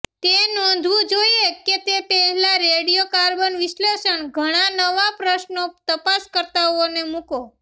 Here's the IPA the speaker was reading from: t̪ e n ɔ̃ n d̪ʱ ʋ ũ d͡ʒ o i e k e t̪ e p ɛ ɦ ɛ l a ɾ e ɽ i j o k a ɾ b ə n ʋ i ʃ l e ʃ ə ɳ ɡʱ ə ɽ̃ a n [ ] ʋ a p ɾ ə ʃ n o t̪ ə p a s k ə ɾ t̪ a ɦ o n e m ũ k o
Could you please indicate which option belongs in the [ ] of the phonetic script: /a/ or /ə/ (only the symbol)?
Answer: ə